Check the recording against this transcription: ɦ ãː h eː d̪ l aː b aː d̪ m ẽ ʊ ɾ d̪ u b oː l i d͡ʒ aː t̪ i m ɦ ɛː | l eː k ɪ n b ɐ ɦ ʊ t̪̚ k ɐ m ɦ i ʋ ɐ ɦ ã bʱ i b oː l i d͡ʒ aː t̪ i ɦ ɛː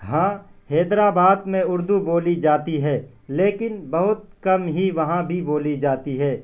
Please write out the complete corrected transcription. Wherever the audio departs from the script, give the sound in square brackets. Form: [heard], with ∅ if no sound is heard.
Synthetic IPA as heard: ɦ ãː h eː d̪ [ɾ] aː b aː d̪ m ẽ ʊ ɾ d̪ u b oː l i d͡ʒ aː t̪ i [∅] ɦ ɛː | l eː k ɪ n b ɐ ɦ ʊ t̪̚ k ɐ m ɦ i ʋ ɐ ɦ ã bʱ i b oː l i d͡ʒ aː t̪ i ɦ ɛː

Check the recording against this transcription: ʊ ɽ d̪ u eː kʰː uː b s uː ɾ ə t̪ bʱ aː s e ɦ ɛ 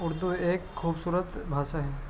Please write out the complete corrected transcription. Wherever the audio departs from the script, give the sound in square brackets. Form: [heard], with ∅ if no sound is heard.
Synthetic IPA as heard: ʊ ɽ d̪ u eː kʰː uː b s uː ɾ ə t̪ bʱ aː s [a] ɦ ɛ

